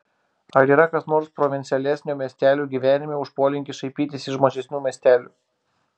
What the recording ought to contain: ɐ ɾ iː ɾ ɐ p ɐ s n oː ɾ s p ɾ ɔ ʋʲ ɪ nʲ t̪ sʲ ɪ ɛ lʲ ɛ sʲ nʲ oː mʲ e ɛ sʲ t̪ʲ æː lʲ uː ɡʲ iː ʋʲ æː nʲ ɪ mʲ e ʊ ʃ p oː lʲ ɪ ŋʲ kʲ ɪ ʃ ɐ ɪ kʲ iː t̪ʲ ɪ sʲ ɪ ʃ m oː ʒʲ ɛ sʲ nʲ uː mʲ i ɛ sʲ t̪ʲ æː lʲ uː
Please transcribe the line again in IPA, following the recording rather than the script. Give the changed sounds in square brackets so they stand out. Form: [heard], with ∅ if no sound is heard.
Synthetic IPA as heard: ɐ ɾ iː ɾ ɐ [k] ɐ s n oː ɾ s p ɾ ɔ ʋʲ ɪ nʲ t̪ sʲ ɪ ɛ lʲ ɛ sʲ nʲ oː mʲ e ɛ sʲ t̪ʲ æː lʲ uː ɡʲ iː ʋʲ æː nʲ ɪ mʲ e ʊ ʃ p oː lʲ ɪ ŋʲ kʲ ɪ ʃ ɐ ɪ [pʲ] iː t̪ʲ ɪ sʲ ɪ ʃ m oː ʒʲ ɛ sʲ nʲ uː mʲ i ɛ sʲ t̪ʲ æː lʲ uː